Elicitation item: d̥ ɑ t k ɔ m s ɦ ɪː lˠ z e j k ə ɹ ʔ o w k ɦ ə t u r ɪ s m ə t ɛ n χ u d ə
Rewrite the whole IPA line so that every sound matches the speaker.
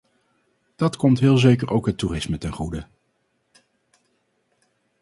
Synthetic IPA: d̥ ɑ t k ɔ m t ɦ ɪː lˠ z e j k ə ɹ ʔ o w k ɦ ə t u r ɪ s m ə t ɛ n χ u d ə